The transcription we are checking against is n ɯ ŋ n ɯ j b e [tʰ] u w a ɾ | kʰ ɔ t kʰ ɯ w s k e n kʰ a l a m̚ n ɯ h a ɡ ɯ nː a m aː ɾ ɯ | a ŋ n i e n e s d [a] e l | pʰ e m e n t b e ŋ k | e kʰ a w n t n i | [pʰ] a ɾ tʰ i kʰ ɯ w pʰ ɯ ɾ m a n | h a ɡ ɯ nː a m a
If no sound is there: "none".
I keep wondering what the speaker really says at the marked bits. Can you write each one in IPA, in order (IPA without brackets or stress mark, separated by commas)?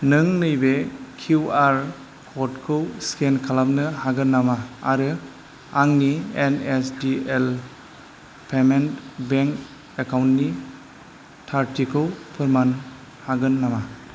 kʰ, i, tʰ